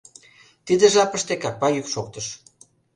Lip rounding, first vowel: unrounded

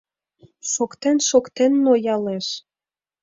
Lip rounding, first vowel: rounded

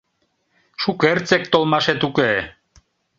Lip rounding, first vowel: rounded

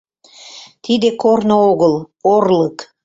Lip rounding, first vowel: unrounded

